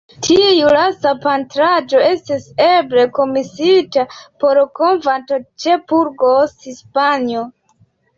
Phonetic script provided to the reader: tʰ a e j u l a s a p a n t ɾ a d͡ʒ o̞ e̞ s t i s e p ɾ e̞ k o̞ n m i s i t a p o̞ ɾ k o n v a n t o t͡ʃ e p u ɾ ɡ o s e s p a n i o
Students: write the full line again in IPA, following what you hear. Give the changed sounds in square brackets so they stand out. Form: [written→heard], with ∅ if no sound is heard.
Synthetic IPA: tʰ [a→i] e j u l a s a p a n t ɾ a d͡ʒ o̞ e̞ s t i s e [p→b] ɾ e̞ k o̞ [n→∅] m i s i t a p o̞ ɾ k o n v a n t o t͡ʃ e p u ɾ ɡ o s [e→i] s p a n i o